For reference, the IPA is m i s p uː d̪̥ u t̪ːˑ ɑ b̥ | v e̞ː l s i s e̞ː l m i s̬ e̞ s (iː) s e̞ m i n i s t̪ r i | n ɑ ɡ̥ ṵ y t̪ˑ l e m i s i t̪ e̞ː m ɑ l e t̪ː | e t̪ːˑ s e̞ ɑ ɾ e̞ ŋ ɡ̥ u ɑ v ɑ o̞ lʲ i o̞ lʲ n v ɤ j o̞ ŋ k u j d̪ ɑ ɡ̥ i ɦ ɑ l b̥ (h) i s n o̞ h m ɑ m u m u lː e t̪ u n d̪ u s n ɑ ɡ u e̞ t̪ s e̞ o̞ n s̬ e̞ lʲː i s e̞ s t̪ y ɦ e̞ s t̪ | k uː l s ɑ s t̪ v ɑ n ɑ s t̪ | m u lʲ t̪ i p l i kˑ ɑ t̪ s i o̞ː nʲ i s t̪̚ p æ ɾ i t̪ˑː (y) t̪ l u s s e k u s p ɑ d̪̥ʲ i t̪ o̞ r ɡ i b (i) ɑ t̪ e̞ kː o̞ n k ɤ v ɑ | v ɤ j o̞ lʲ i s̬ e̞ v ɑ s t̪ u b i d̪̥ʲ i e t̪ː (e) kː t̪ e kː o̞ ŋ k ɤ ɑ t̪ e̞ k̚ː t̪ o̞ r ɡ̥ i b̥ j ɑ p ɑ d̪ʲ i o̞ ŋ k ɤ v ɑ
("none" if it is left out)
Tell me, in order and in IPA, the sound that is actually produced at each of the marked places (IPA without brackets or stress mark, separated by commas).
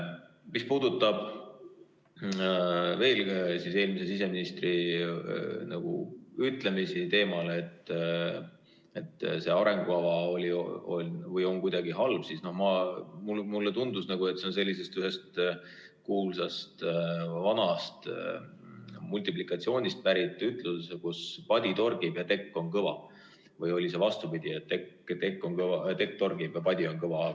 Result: i, s, y, j, e